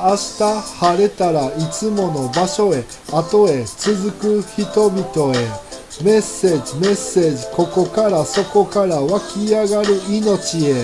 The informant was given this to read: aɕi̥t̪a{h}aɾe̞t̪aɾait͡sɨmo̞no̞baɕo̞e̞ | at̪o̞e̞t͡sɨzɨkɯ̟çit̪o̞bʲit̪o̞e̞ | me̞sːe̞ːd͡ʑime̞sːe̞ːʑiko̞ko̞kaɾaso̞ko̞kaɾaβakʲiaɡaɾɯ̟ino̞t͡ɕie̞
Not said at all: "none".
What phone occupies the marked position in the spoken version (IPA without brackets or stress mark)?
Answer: h